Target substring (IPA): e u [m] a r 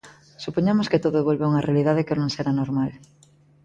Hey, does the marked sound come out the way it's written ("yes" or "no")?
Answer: no